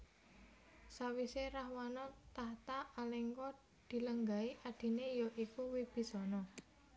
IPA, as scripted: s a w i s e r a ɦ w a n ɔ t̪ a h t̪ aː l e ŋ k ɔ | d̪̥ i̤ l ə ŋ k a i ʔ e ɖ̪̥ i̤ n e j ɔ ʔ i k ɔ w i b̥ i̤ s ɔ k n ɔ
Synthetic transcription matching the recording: s a w i s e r a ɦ w a n ɔ t̪ a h t̪ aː l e ŋ k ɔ | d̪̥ i̤ l ə ŋ ɡ a i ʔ a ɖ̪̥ i̤ n e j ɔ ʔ i k u w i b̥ i̤ s ɔ n ɔ